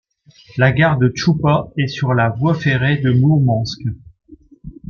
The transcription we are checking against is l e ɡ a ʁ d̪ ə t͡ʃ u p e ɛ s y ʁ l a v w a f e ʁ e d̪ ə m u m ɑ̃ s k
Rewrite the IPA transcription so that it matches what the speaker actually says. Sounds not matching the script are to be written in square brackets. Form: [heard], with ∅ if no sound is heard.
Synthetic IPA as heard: l [a] ɡ a ʁ d̪ ə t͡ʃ u p [a] ɛ s y ʁ l a v w a f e ʁ e d̪ ə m u m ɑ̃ s k